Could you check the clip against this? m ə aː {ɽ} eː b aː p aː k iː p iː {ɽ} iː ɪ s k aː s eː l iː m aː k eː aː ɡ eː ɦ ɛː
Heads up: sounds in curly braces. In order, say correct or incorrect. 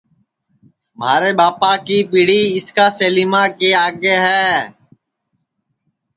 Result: incorrect, correct

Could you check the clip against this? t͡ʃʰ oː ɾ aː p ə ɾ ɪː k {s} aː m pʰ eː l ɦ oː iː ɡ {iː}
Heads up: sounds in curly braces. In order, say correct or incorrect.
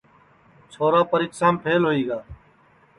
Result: correct, incorrect

